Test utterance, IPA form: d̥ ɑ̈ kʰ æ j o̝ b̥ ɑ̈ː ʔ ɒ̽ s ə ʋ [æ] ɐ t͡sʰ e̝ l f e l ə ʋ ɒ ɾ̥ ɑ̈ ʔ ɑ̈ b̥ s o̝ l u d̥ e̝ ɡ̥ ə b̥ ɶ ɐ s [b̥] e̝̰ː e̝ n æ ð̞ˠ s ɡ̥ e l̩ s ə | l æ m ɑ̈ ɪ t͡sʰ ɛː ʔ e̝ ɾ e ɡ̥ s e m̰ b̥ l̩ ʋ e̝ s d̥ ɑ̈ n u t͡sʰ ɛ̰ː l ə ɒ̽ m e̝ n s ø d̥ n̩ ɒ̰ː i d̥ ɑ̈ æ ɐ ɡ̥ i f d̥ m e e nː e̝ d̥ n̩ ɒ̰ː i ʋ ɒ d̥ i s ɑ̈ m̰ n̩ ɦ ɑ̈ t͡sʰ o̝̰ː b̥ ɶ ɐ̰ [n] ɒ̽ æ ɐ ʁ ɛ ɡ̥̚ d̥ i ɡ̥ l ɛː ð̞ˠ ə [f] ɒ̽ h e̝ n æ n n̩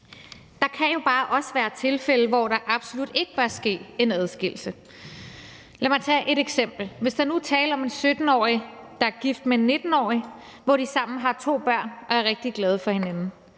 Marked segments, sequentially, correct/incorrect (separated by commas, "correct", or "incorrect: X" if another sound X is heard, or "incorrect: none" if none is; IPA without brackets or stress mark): incorrect: æː, incorrect: ɡ̥, correct, correct